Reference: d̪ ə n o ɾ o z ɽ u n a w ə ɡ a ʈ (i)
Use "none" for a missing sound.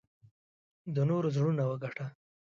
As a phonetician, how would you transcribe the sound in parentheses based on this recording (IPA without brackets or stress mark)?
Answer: a